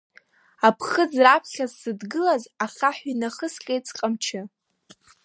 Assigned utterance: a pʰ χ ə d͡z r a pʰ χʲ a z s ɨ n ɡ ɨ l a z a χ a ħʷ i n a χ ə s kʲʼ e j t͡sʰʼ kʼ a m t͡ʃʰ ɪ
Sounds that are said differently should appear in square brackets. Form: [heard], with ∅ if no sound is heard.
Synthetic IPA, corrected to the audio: a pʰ χ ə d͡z r a pʰ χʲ a z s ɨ [d] ɡ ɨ l a z a χ a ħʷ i n a χ ə s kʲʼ e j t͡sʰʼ [qʼ] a m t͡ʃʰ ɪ